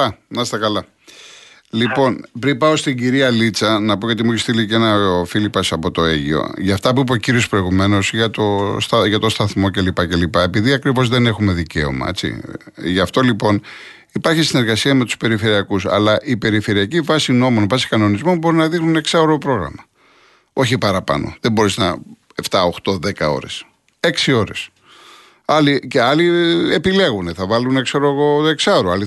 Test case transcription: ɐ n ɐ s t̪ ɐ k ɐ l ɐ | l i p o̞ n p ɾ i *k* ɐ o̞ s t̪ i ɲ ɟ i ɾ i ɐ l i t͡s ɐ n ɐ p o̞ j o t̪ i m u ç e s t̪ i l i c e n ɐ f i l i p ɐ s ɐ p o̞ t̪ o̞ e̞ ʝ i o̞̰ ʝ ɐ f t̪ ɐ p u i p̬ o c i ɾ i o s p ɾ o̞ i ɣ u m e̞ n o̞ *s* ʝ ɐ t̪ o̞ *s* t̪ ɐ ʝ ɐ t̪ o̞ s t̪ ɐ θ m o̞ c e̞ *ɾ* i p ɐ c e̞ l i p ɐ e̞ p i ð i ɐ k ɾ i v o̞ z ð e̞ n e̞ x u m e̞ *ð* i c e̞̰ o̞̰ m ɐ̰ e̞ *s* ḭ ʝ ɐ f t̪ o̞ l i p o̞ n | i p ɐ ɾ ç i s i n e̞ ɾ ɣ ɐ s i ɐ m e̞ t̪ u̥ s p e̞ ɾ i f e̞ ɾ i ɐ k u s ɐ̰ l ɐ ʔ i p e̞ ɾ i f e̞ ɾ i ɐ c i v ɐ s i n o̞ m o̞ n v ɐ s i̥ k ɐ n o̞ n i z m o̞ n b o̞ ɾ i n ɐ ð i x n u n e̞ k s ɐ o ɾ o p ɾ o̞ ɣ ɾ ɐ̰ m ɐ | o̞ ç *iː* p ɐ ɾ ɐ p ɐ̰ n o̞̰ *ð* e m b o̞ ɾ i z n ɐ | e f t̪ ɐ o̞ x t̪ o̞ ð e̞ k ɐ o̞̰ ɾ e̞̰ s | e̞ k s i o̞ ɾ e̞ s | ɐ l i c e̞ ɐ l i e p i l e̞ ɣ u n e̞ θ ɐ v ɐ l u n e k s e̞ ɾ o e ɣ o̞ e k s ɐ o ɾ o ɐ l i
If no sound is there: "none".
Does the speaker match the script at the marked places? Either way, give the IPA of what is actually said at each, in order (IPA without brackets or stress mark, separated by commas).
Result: p, s, s, l, ð, t͡s, i, ð